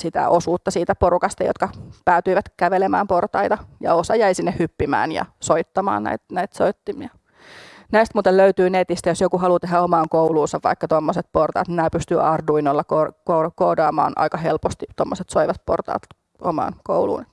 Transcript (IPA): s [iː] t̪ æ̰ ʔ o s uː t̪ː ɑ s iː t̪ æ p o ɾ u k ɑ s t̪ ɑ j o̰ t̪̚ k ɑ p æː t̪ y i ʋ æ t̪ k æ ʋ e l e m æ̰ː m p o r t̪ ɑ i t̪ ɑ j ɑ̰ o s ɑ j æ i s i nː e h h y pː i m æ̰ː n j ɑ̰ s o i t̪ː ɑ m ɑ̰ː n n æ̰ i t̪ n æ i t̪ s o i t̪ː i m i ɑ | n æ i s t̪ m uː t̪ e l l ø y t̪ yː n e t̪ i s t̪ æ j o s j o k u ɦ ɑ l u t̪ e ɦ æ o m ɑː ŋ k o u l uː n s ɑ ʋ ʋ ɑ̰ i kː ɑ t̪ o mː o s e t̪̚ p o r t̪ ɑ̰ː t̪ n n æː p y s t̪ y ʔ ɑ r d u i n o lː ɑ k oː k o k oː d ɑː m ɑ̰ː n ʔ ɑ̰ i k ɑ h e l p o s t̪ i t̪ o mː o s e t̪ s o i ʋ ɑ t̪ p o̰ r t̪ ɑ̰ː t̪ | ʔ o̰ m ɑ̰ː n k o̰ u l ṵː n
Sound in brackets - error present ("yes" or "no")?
yes